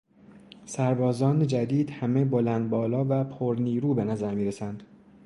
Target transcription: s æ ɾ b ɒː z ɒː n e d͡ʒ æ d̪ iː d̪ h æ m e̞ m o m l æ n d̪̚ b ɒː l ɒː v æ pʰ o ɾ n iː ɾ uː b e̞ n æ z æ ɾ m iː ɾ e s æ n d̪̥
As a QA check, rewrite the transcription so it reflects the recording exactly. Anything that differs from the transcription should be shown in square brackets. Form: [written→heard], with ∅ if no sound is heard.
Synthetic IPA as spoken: s æ ɾ b ɒː z ɒː n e d͡ʒ æ d̪ iː d̪ h æ m e̞ [m→b] o [m→∅] l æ n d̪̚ b ɒː l ɒː v æ pʰ o ɾ n iː ɾ uː b e̞ n æ z æ ɾ m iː ɾ e s æ n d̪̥